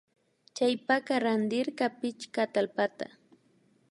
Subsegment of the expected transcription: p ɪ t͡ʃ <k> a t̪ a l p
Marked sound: correct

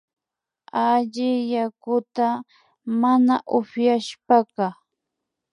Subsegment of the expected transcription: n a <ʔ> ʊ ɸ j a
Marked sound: correct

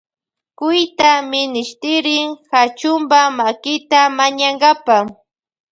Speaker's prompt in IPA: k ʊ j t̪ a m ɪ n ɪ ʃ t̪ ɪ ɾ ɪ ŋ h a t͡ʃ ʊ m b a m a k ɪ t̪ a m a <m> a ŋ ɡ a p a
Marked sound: incorrect: ɲ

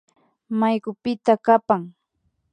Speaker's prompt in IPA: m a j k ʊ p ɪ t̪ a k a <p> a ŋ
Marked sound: correct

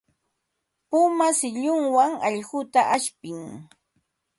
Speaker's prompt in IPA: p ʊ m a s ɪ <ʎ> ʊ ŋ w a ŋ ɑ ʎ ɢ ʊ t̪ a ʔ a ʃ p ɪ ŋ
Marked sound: correct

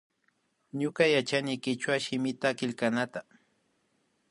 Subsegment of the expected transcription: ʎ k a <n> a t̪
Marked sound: correct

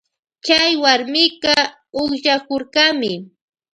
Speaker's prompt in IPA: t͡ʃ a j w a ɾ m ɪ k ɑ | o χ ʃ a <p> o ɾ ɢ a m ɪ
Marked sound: incorrect: k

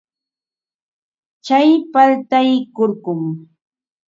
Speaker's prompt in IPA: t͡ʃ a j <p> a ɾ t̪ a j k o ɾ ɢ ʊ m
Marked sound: correct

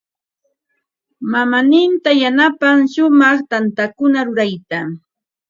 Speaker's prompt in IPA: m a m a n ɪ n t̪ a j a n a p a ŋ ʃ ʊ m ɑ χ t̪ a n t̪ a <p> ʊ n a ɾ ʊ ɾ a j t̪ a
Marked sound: incorrect: k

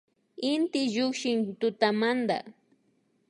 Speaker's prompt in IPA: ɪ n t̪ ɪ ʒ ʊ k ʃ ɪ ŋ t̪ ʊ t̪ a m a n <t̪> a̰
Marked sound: incorrect: d̪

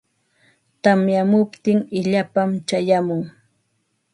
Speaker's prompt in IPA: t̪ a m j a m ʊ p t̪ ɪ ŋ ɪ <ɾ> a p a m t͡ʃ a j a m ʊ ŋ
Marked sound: incorrect: ʎ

